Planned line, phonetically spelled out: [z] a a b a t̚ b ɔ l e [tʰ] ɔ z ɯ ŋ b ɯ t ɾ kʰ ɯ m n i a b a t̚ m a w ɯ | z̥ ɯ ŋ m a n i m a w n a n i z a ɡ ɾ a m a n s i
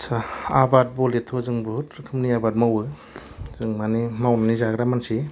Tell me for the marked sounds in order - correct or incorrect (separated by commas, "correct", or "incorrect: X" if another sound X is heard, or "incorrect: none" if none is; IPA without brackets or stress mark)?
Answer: incorrect: s, correct